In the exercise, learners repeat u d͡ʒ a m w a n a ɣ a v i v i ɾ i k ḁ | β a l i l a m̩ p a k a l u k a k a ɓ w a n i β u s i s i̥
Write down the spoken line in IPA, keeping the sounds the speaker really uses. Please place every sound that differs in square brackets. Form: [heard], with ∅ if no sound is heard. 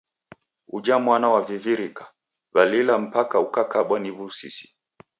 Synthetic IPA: u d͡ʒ a m w a n a [w] a v i v i ɾ i k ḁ | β a l i l a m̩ p a k a [∅] u k a k a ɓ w a n i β u s i s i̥

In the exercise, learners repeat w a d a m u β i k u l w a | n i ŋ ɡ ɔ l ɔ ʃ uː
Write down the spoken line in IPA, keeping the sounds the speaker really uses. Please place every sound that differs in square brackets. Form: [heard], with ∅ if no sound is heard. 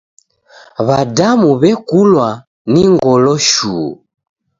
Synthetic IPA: [β] a d a m u β [ɛ] k u l w a | n i ŋ ɡ ɔ l ɔ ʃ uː

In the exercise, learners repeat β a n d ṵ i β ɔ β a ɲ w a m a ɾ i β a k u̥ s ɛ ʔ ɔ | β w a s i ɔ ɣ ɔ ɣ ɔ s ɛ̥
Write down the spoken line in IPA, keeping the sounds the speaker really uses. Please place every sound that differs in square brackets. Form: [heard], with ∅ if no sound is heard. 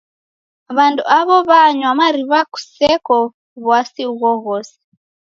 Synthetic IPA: β a n d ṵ [a] β ɔ β a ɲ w a m a ɾ i β a k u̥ s ɛ [k] ɔ | β w a s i [u] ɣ ɔ ɣ ɔ s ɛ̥

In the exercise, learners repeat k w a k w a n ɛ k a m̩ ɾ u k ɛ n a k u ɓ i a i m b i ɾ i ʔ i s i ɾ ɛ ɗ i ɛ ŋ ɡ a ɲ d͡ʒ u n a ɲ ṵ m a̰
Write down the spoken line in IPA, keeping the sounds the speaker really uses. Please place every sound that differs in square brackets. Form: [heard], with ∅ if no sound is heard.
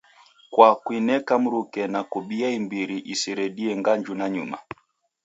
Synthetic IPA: k w a k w [i] n ɛ k a m̩ ɾ u k ɛ n a k u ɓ i a i m b i ɾ i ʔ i s i ɾ ɛ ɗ i ɛ ŋ ɡ a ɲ d͡ʒ u n a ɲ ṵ m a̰

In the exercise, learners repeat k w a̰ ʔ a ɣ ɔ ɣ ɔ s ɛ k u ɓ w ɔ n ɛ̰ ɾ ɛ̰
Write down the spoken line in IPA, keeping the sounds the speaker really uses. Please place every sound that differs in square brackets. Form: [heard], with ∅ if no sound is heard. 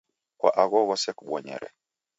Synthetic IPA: k w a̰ ʔ a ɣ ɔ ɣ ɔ s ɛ k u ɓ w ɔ [ɲ] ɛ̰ ɾ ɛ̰

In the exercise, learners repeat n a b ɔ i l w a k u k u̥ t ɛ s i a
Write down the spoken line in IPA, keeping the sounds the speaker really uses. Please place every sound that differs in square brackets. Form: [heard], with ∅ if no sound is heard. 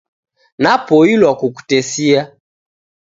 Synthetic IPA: n a [p] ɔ i l w a k u k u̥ t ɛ s i a

